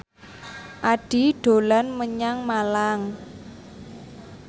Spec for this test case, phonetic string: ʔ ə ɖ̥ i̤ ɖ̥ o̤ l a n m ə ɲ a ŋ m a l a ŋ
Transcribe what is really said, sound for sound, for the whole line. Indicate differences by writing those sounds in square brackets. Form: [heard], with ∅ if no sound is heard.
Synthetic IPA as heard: ʔ [a] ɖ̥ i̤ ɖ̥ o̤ l a n m ə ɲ a ŋ m a l a ŋ